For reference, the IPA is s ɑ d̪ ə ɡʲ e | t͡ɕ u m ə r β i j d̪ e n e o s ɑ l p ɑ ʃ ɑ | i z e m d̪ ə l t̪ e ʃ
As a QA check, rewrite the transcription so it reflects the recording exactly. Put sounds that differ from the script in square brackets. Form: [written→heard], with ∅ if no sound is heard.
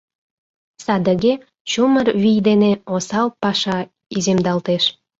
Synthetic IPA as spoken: s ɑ d̪ ə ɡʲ e | t͡ɕ u m ə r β i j d̪ e n e o s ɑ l p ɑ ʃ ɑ | i z e m d̪ [ə→ɑ] l t̪ e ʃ